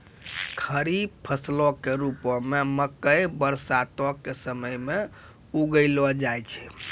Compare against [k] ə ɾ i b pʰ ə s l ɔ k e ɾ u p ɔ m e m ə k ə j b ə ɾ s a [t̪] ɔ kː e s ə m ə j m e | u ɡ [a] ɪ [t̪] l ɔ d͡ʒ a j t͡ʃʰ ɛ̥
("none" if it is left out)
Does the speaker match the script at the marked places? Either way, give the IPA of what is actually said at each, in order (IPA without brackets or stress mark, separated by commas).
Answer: kʰ, t̪, ə, none